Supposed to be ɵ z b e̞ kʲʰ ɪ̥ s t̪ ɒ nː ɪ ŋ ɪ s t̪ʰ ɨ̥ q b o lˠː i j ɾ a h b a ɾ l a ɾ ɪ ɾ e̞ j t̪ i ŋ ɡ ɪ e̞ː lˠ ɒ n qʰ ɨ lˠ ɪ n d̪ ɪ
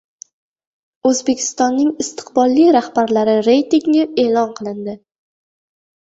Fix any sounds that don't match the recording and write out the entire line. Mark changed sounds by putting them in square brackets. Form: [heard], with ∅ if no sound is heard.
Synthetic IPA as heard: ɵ z b e̞ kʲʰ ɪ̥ s t̪ ɒ nː ɪ ŋ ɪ s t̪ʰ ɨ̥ q b [ɒ] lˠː i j ɾ a h b a ɾ l a ɾ ɪ ɾ e̞ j t̪ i ŋ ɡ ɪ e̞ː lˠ ɒ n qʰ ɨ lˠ ɪ n d̪ ɪ